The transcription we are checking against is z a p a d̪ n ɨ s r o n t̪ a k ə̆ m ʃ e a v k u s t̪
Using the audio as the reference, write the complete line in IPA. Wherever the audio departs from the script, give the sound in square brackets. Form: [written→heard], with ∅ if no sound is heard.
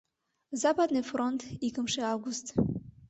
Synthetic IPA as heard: z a p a d̪ n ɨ [s→f] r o n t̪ [a→i] k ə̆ m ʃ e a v [k→ɡ] u s t̪

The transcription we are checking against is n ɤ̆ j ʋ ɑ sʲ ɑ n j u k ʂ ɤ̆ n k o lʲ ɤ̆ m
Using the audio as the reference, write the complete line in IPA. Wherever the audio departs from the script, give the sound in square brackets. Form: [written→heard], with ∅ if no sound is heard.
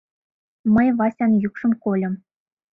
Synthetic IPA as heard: [n→m] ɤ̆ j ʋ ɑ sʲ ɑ n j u k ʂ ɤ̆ [n→m] k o lʲ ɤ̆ m

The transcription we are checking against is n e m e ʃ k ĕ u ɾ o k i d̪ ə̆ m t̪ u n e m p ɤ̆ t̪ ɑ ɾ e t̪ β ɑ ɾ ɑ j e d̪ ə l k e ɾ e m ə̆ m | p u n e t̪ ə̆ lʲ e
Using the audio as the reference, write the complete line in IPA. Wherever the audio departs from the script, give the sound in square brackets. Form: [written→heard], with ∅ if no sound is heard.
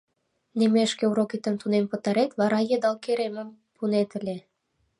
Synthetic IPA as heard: n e m e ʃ k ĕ u ɾ o k i [d̪→t̪] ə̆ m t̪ u n e m p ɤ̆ t̪ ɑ ɾ e t̪ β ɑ ɾ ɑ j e d̪ [ə→ɑ] l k e ɾ e m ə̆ m | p u n e t̪ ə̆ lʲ e

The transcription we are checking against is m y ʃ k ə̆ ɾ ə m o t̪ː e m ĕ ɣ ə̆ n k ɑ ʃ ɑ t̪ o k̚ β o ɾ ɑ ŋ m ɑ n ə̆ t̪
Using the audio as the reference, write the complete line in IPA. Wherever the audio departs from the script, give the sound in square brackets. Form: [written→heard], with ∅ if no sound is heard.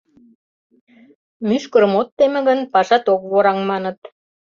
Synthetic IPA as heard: m y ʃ k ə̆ ɾ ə m o t̪ː e m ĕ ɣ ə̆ n [k→p] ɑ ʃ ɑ t̪ o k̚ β o ɾ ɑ ŋ m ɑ n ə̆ t̪

